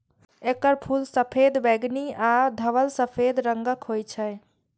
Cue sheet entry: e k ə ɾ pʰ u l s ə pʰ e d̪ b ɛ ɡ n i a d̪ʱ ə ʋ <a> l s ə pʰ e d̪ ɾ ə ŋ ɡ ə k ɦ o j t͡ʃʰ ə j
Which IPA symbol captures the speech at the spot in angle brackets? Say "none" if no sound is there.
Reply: ə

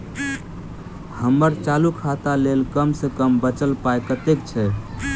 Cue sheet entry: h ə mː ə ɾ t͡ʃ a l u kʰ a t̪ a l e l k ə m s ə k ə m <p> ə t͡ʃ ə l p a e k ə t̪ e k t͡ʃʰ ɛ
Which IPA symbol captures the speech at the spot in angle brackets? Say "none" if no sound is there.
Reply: b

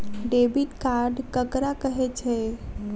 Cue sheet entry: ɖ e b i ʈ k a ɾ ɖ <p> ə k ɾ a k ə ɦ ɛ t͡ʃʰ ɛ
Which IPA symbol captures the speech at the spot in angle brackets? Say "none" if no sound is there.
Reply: k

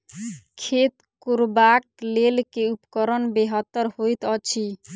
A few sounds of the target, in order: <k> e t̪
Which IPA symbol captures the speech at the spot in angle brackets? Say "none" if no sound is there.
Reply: kʰ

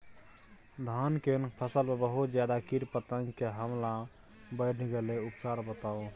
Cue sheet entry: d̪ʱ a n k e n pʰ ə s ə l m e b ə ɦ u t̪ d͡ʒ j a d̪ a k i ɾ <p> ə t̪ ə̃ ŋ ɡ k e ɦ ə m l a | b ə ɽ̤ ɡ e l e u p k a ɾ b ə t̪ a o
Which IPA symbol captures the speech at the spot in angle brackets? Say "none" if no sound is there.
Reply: p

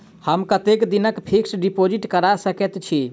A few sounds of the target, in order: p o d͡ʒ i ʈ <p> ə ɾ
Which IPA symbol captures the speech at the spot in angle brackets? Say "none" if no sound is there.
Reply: k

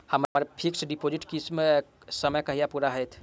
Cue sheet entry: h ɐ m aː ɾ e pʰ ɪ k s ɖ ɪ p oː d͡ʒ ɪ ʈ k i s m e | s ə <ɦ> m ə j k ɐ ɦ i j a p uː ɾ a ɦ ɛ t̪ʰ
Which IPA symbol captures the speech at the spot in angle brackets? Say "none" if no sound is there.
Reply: none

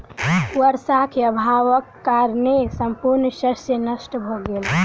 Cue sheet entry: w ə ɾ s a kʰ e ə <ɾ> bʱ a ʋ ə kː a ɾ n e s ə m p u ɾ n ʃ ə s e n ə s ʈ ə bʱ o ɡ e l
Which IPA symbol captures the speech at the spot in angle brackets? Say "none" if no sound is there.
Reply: none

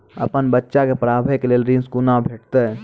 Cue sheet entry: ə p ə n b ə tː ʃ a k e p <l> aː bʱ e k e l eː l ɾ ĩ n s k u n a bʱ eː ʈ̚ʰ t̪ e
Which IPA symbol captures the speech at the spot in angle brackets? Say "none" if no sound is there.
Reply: ɾ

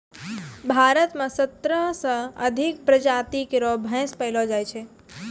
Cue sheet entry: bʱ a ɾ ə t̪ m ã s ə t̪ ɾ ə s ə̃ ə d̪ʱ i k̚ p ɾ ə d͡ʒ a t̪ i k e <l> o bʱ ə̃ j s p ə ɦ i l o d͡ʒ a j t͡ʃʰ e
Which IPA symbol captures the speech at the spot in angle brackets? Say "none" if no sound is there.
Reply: ɾ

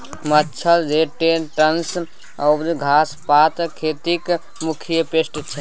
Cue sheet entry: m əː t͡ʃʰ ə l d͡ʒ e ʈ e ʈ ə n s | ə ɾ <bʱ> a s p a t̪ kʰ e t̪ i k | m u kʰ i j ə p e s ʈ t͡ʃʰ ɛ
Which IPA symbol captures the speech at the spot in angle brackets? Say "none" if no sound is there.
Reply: ɡʱ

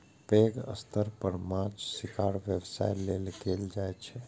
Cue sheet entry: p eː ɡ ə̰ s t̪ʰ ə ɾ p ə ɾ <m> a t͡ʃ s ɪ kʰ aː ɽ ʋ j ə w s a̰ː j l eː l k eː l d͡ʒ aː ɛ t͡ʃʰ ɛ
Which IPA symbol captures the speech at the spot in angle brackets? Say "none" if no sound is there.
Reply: m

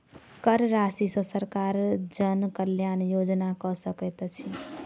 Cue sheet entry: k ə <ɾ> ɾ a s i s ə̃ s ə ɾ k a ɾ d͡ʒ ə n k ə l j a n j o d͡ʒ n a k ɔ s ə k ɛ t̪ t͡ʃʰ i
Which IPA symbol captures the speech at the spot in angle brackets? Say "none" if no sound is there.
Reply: ɾ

